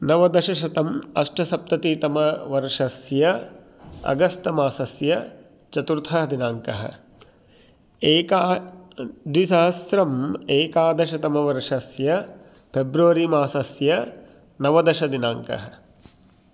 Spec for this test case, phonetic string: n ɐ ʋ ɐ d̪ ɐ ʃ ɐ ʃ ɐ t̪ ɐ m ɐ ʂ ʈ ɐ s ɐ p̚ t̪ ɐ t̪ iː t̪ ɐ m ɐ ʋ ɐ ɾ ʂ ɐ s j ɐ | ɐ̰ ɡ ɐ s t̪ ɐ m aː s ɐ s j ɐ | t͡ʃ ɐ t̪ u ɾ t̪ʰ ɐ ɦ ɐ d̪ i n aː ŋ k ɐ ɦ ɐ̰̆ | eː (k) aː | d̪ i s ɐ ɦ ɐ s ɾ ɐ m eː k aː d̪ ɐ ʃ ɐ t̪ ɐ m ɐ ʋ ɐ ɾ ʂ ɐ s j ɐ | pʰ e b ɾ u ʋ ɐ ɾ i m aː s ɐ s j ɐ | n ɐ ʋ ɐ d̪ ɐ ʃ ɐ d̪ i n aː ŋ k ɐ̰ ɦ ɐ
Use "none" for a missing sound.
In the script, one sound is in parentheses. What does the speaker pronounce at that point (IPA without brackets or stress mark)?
k